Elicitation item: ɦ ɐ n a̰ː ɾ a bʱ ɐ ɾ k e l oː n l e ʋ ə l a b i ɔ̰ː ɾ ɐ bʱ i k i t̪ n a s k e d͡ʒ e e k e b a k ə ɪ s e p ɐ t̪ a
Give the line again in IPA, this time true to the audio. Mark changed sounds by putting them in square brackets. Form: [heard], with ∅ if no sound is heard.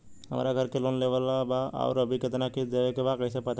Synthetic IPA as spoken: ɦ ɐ [m] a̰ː ɾ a [ɡʱ] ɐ ɾ k e l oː n l e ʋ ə l a b [a] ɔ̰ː ɾ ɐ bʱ i k [ɪ] t̪ n a [∅] k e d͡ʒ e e k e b a k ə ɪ s e p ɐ t̪ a